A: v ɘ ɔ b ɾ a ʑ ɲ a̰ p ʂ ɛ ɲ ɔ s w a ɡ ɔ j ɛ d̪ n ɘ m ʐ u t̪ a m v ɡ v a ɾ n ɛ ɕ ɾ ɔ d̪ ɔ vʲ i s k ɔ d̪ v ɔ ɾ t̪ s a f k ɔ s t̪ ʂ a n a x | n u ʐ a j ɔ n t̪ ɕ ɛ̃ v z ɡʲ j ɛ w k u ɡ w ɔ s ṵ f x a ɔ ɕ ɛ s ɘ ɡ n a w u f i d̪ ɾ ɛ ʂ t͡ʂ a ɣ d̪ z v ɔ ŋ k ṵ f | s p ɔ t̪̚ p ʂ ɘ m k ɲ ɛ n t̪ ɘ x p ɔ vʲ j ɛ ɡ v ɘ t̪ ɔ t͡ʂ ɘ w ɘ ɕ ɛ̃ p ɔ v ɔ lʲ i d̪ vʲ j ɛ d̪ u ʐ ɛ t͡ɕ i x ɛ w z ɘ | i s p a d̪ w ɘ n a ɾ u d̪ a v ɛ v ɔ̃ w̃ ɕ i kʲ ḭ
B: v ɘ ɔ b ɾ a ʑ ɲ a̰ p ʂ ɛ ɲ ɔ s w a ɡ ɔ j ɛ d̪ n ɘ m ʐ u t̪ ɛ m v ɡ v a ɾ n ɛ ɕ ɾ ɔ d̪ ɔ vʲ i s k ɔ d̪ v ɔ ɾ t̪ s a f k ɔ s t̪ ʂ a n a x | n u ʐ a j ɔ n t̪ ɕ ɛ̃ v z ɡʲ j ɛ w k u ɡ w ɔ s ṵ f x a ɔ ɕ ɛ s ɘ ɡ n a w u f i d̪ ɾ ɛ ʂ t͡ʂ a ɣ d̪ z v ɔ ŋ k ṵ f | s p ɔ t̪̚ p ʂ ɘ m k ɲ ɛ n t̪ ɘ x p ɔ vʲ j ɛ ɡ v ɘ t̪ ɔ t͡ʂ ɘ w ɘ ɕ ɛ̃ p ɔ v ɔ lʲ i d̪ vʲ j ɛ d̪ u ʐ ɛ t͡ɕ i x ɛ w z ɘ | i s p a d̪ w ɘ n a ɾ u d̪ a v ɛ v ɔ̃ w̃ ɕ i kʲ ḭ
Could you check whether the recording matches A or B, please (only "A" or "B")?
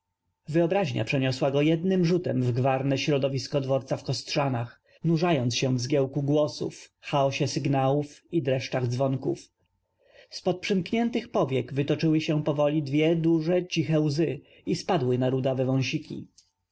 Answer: B